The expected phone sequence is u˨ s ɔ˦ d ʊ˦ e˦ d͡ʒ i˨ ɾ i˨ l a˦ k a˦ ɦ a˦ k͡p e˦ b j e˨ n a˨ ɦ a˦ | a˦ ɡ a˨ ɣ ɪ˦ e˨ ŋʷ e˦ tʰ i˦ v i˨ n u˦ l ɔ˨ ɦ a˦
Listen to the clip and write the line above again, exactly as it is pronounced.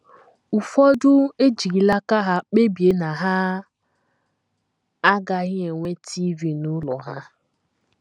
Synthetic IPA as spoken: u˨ f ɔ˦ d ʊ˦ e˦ d͡ʒ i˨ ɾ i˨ l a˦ k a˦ ɦ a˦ k͡p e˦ b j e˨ n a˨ ɦ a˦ | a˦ ɡ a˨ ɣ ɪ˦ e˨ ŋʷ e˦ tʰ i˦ v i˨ n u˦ l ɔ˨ ɦ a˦